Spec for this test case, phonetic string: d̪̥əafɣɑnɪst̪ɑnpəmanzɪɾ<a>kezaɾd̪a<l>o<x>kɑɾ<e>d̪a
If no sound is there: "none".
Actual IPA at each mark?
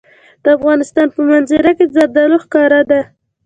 a, l, x, a

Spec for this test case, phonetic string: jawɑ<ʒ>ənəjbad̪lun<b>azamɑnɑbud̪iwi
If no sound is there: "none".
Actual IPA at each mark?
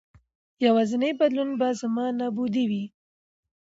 z, b

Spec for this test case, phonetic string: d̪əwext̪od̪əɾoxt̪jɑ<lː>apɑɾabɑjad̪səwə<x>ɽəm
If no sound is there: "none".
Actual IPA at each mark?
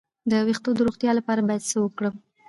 l, k

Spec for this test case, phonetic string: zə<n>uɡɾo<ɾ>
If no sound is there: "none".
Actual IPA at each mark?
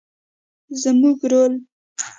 m, l

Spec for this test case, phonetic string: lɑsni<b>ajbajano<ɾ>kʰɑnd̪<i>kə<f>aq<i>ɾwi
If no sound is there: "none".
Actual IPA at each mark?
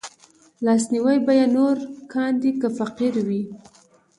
w, ɾ, i, f, i

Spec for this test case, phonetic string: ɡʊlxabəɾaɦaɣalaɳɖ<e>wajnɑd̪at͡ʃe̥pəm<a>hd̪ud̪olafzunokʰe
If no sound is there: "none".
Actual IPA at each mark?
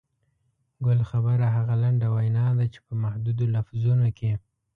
a, a

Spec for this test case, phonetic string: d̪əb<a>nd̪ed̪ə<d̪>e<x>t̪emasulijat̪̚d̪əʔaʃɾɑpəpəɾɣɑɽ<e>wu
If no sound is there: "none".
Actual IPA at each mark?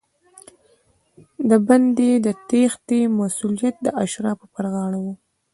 a, t̪, x, a

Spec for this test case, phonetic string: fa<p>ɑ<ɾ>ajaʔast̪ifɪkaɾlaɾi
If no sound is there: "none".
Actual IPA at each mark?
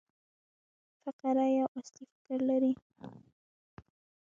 q, ɾ

